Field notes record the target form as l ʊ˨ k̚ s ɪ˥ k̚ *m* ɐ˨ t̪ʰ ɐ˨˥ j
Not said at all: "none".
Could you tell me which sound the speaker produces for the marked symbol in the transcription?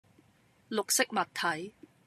m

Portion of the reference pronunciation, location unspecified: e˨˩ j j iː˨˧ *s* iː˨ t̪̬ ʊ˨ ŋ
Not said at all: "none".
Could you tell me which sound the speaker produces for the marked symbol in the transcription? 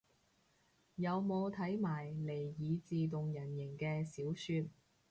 t͡s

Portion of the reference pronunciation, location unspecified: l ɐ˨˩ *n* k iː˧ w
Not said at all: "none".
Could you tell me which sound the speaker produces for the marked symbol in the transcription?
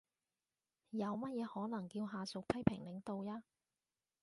ŋ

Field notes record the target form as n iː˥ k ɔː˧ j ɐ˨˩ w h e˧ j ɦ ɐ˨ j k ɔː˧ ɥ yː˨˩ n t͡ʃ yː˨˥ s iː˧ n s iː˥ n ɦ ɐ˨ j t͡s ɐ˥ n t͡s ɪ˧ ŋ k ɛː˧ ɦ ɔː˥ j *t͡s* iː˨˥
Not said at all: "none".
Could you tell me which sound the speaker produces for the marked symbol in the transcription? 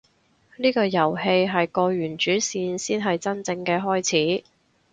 t͡sʰ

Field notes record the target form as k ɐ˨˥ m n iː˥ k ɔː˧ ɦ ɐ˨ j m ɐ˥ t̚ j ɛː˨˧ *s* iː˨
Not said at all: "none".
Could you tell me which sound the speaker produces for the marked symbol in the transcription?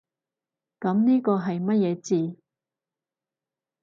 t͡s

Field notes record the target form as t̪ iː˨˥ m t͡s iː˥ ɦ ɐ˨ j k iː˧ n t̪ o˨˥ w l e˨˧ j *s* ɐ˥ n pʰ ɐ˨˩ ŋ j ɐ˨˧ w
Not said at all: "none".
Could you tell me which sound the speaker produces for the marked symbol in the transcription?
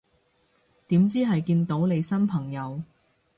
s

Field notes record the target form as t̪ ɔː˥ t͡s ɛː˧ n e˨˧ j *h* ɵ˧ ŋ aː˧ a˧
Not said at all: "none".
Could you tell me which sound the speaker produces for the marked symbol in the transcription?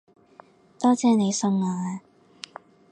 s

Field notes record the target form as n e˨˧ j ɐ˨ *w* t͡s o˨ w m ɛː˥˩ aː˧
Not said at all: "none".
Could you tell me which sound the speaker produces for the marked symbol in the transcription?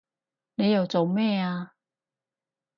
w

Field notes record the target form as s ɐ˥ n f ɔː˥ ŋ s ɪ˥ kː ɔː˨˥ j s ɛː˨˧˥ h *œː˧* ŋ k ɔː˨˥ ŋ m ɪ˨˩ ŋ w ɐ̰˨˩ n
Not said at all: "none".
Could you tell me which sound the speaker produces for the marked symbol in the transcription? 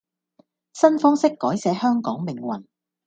œː˥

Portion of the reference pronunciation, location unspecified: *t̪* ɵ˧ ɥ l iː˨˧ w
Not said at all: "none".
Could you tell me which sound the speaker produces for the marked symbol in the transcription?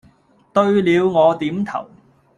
t̪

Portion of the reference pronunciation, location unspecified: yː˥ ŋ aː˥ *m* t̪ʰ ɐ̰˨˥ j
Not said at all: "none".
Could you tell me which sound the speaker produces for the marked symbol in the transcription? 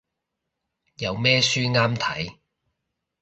m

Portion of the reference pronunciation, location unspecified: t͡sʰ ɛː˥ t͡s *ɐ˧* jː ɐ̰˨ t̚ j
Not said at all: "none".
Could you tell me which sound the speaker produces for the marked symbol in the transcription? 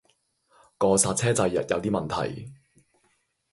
ɐ˧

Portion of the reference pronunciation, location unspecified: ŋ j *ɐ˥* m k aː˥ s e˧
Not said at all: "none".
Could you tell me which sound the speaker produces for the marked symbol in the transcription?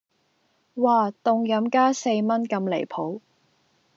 ɐ˨˥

